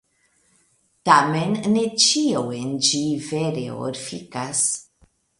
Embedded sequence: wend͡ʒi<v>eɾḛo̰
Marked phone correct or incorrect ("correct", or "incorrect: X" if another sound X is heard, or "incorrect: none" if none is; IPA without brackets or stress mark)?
correct